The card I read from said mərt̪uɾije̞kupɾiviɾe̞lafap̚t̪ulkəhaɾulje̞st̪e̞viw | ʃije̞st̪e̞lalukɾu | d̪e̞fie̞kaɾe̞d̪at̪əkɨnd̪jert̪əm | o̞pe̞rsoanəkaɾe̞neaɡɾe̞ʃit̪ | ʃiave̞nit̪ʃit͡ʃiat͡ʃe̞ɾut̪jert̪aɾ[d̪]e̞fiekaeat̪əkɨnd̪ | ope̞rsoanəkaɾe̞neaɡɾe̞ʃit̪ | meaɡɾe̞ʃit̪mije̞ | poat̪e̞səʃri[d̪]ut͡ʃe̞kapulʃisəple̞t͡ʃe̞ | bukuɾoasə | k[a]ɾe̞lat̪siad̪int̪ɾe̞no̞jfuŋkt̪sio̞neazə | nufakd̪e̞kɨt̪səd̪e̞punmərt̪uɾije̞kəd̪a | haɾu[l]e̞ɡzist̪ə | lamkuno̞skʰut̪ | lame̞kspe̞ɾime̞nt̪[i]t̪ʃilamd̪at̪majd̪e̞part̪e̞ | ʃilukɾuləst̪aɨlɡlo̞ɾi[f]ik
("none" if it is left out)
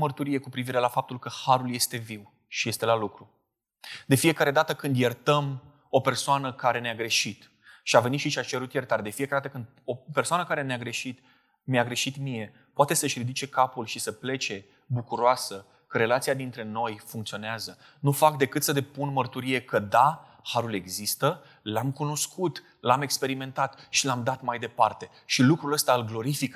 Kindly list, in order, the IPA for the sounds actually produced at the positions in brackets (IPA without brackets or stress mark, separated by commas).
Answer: d̪, d̪, ə, l, a, f